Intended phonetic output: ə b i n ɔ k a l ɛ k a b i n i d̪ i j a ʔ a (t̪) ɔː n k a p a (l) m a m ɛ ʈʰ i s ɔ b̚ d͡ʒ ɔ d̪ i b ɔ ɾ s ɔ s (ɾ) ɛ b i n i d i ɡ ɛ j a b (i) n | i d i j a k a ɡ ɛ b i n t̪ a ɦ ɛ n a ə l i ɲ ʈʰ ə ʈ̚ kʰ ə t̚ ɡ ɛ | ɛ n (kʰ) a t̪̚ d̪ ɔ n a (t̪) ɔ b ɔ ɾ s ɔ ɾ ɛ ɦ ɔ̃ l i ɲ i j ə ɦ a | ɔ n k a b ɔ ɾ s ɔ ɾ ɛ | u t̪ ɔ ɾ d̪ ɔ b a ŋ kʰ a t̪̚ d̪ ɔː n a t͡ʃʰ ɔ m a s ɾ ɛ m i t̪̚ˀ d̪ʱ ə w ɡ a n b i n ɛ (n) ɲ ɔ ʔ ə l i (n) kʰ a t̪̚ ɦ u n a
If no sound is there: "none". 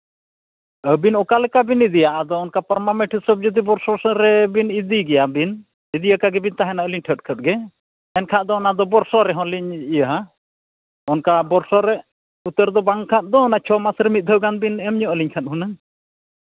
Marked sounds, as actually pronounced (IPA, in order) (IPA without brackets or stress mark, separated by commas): d̪, ɾ, ɾ, i, kʰ, d̪, m, ɲ